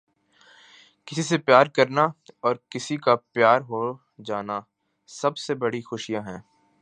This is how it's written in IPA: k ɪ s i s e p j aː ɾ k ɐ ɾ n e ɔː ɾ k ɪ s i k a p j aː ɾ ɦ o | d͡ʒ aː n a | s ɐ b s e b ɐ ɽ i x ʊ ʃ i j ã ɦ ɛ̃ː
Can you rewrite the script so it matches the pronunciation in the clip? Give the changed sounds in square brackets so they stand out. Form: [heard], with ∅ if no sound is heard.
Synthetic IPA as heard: k ɪ s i s e p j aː ɾ k ɐ ɾ n [a] ɔː ɾ k ɪ s i k a p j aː ɾ ɦ o | d͡ʒ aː n a | s ɐ b s e b ɐ ɽ i x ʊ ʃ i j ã ɦ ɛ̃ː